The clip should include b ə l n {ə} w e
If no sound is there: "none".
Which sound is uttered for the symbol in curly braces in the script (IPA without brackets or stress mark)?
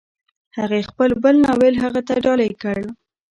ɑ